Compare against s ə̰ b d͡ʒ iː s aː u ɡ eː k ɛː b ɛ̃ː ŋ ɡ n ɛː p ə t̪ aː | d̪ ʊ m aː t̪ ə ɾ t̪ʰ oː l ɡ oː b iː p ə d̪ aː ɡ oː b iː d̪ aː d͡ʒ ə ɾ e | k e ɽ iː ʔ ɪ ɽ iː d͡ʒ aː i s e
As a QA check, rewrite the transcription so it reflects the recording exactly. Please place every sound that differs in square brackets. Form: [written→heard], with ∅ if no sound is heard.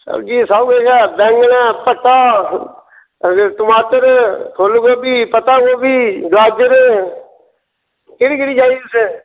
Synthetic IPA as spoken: s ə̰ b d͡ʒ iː s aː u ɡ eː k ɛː b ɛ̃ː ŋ ɡ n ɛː p ə t̪ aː | [d̪→t̪] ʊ m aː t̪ ə ɾ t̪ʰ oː l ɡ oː b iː p ə [d̪→t̪] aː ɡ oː b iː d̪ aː d͡ʒ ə ɾ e | k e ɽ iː [ʔ→k] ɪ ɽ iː d͡ʒ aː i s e